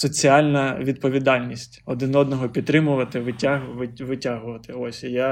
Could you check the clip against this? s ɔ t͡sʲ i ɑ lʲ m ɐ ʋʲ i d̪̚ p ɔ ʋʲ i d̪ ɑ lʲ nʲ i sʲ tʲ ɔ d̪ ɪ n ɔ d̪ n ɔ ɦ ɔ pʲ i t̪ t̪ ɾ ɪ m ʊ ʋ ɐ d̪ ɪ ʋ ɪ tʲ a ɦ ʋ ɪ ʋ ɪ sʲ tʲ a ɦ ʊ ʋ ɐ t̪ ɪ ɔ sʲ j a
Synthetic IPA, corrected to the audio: s ɔ t͡sʲ i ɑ lʲ n ɐ ʋʲ i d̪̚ p ɔ ʋʲ i d̪ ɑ lʲ nʲ i sʲ tʲ ɔ d̪ ɪ n ɔ d̪ n ɔ ɦ ɔ pʲ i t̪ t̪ ɾ ɪ m ʊ ʋ ɐ t̪ ɪ ʋ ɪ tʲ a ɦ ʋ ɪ ʋ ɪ tʲ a ɦ ʊ ʋ ɐ t̪ ɪ ɔ sʲ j a